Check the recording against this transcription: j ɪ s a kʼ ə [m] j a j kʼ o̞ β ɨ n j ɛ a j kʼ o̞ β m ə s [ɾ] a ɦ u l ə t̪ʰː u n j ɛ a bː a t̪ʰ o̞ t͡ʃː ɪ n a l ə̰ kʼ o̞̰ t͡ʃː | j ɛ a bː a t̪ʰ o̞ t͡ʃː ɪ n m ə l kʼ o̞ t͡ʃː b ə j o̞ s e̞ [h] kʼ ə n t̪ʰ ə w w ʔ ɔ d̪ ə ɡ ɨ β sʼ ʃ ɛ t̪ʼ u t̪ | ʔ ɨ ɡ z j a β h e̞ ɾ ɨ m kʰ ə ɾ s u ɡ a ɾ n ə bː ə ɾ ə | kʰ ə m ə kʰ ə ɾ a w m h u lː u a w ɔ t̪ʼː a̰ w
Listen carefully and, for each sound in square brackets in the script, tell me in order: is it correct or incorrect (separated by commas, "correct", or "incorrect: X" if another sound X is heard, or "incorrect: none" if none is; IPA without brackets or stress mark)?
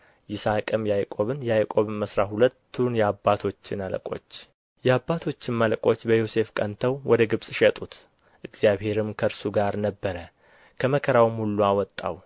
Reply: correct, correct, incorrect: f